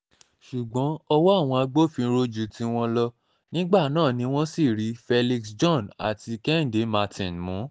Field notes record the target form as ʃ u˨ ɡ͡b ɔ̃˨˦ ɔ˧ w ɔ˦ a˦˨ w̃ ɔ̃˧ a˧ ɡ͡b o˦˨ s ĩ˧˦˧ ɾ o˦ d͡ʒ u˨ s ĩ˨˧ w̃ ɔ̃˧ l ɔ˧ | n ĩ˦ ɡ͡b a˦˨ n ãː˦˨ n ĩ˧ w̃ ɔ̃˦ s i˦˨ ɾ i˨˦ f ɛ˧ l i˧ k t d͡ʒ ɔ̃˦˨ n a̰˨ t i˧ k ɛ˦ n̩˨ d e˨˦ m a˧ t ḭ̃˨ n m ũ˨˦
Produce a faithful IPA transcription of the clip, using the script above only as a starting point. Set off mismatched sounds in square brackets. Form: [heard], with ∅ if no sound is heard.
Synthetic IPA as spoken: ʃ u˨ ɡ͡b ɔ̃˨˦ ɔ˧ w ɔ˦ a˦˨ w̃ ɔ̃˧ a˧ ɡ͡b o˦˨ [f] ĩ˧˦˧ ɾ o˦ d͡ʒ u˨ [t] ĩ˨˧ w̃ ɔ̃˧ l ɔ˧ | n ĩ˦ ɡ͡b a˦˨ n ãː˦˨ n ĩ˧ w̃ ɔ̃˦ s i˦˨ ɾ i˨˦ f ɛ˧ l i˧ k [s] d͡ʒ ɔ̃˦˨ n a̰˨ t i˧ k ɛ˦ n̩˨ d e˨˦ m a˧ t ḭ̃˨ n m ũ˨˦